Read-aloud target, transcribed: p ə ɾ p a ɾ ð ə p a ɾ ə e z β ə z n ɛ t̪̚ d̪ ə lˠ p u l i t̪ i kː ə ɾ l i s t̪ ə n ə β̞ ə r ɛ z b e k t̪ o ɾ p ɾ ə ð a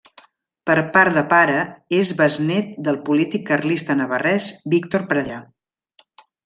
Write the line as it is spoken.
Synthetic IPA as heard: p ə ɾ p a ɾ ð ə p a ɾ ə e z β ə z n ɛ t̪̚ d̪ ə lˠ p u l i t̪ i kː ə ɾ l i s t̪ ə n ə β̞ ə r ɛ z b i k t̪ o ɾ p ɾ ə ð a

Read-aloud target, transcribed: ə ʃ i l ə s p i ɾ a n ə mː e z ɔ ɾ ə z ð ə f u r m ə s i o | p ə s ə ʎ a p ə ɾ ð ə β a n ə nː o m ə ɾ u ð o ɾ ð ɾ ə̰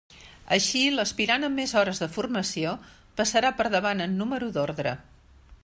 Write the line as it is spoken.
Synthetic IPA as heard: ə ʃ i l ə s p i ɾ a n ə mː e z ɔ ɾ ə z ð ə f u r m ə s i o | p ə s ə ɾ a p ə ɾ ð ə β a n ə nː u m ə ɾ u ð o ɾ ð ɾ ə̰

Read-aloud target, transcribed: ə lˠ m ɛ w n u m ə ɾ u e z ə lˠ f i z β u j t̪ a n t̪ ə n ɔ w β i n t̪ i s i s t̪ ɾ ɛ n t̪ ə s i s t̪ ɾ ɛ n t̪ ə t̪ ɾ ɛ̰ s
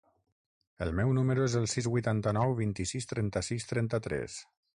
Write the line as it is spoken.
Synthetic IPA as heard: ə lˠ m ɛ w n u m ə ɾ u e z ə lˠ s i z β u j t̪ a n t̪ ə n ɔ w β i n t̪ i s i s t̪ ɾ ɛ n t̪ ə s i s t̪ ɾ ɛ n t̪ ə t̪ ɾ ɛ̰ s

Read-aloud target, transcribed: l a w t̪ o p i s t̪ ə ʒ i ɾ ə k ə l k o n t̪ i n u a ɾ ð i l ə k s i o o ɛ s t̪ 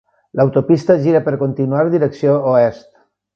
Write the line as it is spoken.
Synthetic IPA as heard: l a w t̪ o p i s t̪ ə ʒ i ɾ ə p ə ɾ k o n t̪ i n u a ɾ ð i ɾ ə k s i o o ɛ s t̪

